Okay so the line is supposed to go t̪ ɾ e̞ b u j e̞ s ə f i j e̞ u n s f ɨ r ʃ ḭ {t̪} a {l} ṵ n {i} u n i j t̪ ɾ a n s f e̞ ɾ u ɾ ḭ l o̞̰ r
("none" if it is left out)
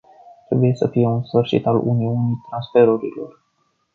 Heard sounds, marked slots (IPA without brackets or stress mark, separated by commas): t̪, l, i